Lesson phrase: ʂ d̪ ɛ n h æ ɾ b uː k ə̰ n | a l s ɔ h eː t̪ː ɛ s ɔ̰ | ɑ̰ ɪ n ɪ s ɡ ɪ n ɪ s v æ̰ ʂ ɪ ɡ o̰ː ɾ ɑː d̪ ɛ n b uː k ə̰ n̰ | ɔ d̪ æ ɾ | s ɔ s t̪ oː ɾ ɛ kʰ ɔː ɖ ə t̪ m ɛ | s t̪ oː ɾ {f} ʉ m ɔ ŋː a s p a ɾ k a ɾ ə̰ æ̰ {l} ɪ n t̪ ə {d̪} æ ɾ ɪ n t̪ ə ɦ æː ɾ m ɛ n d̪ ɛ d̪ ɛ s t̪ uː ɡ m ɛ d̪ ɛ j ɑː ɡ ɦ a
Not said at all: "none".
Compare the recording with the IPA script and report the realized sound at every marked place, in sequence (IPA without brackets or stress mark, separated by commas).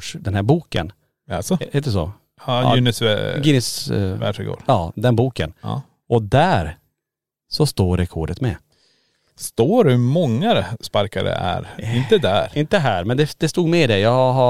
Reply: h, ɾ, d̪